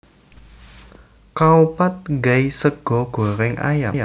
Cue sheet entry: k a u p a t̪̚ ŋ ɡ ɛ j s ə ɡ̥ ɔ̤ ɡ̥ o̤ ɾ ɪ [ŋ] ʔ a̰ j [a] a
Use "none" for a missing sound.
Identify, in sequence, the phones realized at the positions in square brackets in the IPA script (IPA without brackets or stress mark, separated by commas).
ŋ, a